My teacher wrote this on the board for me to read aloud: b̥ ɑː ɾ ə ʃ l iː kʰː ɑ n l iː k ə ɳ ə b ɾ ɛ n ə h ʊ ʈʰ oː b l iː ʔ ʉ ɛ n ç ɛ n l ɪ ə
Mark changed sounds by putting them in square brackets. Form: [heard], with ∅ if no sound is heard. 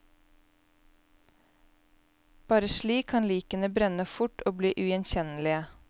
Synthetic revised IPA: b̥ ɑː ɾ ə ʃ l iː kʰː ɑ n l iː k ə [n] ə b ɾ ɛ n ə [f] ʊ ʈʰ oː b l iː ʔ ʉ ɛ n ç ɛ n l ɪ ə